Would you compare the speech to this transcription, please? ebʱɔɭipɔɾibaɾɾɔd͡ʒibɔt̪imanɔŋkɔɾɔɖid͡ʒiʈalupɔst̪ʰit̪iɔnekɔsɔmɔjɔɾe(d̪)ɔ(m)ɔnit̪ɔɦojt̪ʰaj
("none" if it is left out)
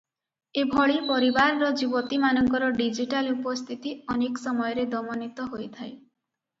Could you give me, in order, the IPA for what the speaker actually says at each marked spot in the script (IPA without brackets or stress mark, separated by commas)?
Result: d̪, m